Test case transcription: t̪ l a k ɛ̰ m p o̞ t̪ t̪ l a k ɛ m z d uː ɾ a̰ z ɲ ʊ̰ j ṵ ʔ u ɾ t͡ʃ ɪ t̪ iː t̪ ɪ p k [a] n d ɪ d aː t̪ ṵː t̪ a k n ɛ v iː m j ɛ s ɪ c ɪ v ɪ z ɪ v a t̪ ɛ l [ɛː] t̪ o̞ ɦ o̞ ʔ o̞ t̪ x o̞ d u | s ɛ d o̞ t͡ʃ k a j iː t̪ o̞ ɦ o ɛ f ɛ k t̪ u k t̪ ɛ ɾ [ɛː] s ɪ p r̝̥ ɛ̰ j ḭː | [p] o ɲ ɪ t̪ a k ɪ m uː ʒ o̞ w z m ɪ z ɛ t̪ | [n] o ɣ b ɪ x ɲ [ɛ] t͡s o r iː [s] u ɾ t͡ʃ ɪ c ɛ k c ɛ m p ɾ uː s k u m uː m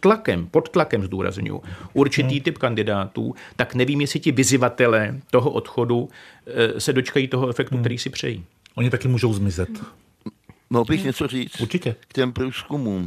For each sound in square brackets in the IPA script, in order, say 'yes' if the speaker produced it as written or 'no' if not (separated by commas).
yes, yes, no, no, no, yes, no